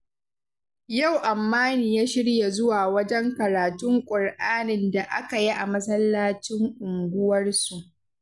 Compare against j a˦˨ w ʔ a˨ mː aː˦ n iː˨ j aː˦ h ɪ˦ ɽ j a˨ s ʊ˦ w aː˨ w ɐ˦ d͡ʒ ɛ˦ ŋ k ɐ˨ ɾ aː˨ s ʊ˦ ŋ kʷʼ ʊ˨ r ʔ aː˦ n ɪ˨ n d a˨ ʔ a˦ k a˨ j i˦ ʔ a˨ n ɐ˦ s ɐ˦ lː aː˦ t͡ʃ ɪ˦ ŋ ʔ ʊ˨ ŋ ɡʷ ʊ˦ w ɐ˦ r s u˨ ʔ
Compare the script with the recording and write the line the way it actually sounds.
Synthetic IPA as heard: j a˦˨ w ʔ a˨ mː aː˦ n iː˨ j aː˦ ʃ ɪ˦ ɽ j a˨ z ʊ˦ w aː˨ w ɐ˦ d͡ʒ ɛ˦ ŋ k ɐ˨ ɾ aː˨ t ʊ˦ ŋ kʷʼ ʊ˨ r ʔ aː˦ n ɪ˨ n d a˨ ʔ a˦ k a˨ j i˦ ʔ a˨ m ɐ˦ s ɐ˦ lː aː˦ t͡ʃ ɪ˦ ŋ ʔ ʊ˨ ŋ ɡʷ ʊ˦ w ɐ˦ r s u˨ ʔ